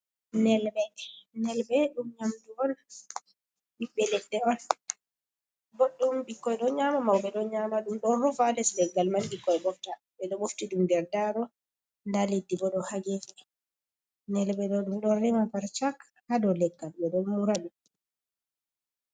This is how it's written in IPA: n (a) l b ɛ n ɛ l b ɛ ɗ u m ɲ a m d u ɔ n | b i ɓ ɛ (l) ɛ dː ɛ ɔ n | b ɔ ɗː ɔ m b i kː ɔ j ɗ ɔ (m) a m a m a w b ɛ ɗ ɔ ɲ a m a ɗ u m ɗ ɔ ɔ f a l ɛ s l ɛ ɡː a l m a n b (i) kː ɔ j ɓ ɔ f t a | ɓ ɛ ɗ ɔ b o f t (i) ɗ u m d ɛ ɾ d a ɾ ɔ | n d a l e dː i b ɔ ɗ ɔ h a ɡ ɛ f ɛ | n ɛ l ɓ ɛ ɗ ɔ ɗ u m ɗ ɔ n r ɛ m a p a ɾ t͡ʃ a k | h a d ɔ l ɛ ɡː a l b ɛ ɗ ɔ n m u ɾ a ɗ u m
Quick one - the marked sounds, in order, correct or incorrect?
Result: incorrect, correct, incorrect, correct, correct

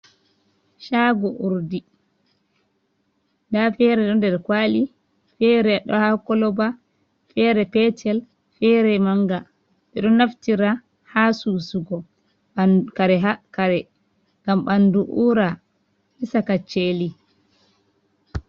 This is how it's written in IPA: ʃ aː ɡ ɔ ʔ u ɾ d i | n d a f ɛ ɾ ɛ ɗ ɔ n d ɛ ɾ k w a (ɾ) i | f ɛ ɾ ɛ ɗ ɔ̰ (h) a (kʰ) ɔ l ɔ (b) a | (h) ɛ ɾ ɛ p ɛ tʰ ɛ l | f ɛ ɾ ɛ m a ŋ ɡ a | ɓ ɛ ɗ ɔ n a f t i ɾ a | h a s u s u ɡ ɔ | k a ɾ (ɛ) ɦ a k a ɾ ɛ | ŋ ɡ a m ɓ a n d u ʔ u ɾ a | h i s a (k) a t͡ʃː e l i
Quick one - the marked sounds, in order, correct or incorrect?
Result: incorrect, correct, incorrect, correct, incorrect, correct, correct

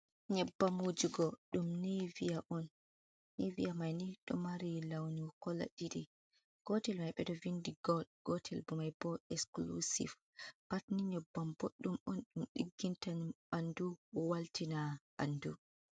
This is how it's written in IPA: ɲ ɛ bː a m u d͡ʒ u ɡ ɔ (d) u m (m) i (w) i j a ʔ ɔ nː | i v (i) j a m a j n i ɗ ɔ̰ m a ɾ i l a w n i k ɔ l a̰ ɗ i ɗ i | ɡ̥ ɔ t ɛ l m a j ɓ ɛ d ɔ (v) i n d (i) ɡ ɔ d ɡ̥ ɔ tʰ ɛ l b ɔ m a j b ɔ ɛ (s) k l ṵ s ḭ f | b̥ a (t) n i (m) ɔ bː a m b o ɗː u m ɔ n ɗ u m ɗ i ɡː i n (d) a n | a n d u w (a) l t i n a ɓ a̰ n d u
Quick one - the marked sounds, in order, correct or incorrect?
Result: incorrect, incorrect, incorrect, correct, correct, correct, correct, correct, incorrect, incorrect, correct

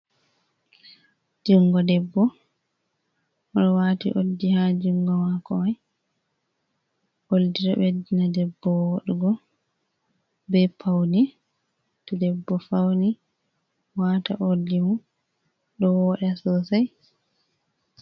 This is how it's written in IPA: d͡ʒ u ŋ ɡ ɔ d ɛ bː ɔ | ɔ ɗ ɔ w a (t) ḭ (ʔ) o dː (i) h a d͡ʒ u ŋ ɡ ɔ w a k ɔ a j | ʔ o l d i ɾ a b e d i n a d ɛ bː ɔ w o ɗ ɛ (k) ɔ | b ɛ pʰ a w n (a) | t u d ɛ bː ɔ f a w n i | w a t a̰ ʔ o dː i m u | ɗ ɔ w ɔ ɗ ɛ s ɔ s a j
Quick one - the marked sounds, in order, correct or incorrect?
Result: correct, correct, correct, incorrect, incorrect

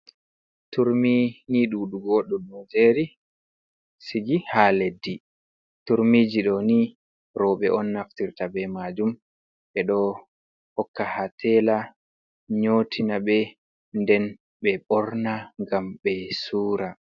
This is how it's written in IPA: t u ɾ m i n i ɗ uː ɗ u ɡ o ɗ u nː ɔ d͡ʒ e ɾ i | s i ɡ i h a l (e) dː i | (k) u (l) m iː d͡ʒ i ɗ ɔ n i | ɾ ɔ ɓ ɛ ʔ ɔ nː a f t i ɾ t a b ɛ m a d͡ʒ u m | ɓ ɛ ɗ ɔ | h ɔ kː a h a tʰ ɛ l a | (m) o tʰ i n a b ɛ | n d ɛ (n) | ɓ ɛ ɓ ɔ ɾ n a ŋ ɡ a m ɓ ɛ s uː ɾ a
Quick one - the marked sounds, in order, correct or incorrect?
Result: correct, incorrect, incorrect, incorrect, correct

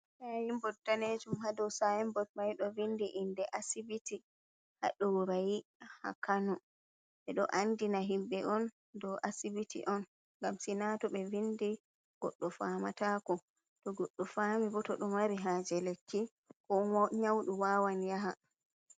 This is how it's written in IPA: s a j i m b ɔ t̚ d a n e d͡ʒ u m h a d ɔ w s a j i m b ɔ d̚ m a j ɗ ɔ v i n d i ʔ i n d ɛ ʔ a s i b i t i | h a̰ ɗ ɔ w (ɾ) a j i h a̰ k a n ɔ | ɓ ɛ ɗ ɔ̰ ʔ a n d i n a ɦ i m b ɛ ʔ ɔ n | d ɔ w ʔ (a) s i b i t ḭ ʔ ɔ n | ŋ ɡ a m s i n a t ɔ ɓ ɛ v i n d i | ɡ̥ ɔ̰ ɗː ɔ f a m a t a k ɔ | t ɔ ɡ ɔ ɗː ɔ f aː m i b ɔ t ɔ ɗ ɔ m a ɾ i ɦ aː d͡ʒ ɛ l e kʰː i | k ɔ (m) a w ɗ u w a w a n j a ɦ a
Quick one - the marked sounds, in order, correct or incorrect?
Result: correct, correct, incorrect

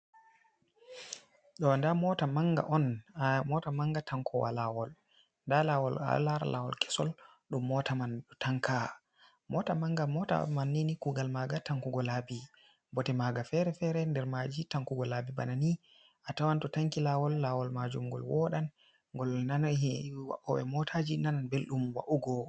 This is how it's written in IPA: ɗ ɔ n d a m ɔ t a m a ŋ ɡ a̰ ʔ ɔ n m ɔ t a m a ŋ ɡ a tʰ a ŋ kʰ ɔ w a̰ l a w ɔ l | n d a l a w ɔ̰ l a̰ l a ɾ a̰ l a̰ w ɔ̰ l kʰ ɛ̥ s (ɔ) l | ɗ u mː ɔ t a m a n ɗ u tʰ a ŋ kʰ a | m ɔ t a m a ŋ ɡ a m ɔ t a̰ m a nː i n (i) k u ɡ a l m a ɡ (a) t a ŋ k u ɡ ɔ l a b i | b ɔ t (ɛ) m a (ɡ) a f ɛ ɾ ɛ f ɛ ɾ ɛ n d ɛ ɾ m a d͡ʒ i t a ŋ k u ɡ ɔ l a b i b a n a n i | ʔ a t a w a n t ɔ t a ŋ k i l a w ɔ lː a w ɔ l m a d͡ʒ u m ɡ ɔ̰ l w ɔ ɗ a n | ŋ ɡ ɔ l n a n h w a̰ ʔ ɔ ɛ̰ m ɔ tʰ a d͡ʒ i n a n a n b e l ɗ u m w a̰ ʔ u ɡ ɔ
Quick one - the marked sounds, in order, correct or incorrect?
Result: correct, correct, correct, correct, correct

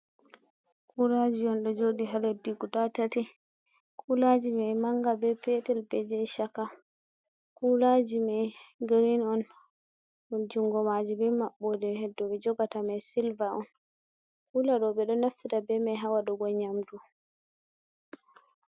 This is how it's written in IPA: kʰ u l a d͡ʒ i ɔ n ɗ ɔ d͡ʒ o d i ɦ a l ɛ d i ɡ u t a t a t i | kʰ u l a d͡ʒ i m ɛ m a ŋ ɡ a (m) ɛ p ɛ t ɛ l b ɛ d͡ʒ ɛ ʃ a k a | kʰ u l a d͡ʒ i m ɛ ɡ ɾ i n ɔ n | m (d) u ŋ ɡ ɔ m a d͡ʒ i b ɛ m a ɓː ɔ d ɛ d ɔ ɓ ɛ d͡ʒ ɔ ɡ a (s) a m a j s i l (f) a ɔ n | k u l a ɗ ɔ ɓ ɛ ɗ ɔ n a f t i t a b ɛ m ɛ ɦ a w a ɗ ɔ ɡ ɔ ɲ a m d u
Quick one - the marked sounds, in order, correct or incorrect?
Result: incorrect, incorrect, incorrect, incorrect

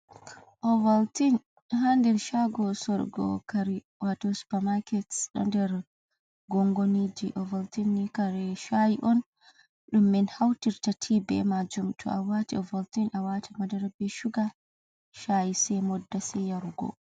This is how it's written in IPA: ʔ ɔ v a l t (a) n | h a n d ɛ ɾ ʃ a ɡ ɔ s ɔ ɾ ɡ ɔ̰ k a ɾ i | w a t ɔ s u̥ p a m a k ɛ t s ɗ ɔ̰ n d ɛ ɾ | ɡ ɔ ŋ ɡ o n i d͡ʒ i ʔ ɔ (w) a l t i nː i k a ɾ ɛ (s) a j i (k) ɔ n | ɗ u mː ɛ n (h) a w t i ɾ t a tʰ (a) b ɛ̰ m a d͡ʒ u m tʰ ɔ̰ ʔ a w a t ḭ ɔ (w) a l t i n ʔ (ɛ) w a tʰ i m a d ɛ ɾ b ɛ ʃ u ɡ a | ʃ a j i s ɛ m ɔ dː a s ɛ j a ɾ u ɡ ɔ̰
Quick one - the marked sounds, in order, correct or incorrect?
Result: incorrect, incorrect, incorrect, incorrect, correct, incorrect, incorrect, incorrect

